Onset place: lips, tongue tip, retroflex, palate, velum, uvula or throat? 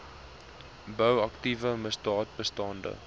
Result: lips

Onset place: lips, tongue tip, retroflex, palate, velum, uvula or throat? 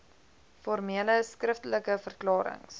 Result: lips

